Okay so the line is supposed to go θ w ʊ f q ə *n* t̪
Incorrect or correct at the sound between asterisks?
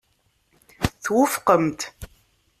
incorrect: m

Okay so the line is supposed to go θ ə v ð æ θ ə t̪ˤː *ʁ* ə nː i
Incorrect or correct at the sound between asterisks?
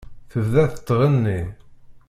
correct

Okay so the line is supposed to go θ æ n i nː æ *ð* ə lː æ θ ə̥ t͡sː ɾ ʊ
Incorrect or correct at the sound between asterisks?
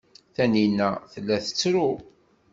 incorrect: θ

